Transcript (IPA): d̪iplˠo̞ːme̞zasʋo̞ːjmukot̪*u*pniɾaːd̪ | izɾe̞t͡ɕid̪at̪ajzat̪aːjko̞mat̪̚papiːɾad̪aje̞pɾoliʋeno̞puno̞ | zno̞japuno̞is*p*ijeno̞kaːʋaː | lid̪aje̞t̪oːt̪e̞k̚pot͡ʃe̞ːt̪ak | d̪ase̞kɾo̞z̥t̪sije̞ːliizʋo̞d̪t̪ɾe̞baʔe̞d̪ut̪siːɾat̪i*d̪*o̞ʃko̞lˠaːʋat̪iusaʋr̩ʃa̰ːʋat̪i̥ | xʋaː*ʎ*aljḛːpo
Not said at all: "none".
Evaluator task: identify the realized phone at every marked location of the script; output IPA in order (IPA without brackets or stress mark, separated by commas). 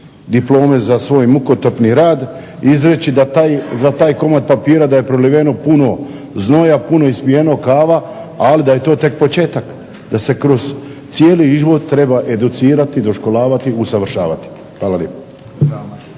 o, p, d̪, l